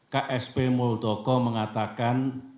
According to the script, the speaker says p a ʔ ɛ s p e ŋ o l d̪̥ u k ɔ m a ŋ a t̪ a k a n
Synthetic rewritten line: k a ʔ ɛ s p e m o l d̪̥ ɔ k ɔ m ə ŋ a t̪ a k a n